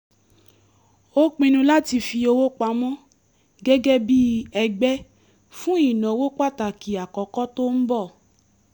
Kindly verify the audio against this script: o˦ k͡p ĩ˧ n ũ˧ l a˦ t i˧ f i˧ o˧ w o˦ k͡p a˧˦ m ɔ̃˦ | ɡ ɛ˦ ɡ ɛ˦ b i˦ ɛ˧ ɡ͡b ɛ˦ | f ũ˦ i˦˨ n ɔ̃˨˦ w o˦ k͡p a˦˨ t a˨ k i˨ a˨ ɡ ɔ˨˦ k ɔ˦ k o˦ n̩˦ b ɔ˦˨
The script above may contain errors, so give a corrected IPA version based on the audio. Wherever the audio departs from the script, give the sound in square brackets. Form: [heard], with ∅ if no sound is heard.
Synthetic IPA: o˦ k͡p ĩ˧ n ũ˧ l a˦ t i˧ f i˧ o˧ w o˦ k͡p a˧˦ m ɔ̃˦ | ɡ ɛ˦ ɡ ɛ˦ b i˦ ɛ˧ ɡ͡b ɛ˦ | f ũ˦ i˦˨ n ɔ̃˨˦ w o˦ k͡p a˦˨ t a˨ k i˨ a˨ [k] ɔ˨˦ k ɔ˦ [t] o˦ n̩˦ b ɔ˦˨